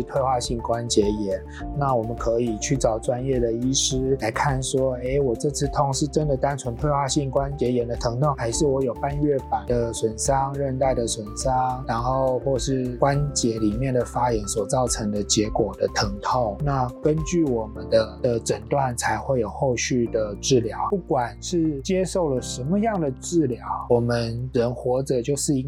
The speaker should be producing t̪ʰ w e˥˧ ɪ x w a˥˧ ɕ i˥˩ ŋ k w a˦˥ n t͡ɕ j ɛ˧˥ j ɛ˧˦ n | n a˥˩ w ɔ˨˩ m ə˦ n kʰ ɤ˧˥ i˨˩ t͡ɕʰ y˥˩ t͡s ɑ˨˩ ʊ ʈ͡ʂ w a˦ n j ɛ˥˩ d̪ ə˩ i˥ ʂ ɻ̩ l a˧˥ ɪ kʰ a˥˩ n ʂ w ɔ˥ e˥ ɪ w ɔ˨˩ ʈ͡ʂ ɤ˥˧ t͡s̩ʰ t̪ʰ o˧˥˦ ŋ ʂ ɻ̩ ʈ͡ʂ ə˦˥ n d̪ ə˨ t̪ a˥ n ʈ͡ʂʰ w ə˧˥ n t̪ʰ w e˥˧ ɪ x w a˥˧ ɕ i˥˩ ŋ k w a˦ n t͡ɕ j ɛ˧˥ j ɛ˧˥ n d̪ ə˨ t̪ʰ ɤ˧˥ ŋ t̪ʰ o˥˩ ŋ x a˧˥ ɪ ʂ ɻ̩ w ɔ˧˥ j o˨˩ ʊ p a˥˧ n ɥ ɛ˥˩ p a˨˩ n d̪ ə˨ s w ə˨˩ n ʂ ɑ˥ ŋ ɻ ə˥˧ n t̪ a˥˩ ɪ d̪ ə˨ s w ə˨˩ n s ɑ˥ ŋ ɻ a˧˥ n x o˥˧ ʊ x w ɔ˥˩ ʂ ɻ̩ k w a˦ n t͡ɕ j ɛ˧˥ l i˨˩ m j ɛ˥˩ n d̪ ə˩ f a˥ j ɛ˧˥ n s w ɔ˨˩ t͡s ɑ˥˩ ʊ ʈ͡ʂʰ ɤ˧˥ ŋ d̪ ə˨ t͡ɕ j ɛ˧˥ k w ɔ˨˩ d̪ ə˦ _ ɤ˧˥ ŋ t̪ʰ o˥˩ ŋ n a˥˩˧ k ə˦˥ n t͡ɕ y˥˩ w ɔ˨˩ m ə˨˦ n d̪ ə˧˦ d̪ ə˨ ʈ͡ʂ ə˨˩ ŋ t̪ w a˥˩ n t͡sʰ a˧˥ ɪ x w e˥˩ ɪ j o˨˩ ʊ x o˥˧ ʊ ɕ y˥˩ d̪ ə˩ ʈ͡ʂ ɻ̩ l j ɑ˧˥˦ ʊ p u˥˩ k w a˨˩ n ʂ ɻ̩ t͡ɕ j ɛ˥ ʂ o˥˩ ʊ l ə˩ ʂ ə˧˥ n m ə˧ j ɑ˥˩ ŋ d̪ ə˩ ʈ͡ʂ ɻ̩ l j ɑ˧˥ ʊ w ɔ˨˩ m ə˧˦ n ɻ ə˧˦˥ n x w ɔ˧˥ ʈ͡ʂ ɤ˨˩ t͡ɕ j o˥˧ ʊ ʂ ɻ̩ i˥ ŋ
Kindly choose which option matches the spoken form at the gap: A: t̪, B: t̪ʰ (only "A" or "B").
B